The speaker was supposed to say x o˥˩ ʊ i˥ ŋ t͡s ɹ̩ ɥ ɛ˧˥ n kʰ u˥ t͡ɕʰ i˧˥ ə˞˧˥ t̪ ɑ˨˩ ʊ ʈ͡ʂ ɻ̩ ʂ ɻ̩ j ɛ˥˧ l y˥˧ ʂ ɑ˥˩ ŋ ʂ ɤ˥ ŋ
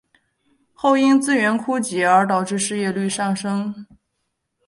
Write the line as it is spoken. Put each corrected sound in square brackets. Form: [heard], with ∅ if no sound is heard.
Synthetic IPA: x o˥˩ ʊ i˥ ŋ t͡s ɹ̩ ɥ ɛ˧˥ n kʰ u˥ [t͡ɕ] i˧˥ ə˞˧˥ t̪ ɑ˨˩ ʊ ʈ͡ʂ ɻ̩ ʂ ɻ̩ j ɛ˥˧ l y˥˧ ʂ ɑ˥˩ ŋ ʂ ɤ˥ ŋ